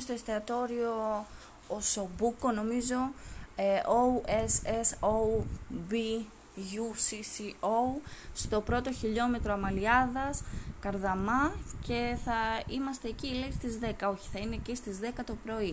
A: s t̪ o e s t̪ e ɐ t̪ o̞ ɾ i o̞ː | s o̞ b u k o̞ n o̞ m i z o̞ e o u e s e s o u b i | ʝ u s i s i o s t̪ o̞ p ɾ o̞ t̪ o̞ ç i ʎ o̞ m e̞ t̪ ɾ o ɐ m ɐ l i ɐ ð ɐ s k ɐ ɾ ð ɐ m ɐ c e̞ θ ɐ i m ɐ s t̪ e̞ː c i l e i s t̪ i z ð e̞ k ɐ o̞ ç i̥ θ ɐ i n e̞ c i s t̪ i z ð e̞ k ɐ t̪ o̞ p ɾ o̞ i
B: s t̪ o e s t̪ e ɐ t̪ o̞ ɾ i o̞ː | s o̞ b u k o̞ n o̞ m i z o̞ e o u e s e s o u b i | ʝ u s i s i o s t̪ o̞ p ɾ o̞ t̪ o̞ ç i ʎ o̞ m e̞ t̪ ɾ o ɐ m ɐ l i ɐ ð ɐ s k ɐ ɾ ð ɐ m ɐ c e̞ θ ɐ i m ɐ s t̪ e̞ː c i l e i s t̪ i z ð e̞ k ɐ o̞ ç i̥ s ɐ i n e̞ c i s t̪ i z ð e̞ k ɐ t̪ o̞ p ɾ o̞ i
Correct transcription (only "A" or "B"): A